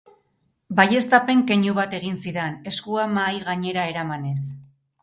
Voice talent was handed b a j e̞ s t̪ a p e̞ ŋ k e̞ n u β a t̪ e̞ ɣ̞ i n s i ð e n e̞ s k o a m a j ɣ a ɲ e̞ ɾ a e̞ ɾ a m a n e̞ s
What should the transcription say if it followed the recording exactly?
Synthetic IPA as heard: b a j e̞ s t̪ a p e̞ ŋ k e̞ ɲ u β a t̪ e̞ ɣ̞ i n s i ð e n e̞ s k u a m a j ɣ a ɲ e̞ ɾ a e̞ ɾ a m a n e̞ s